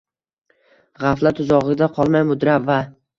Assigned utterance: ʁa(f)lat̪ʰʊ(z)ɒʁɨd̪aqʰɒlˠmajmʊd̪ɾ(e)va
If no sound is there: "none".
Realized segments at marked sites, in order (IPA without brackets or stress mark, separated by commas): f, z, a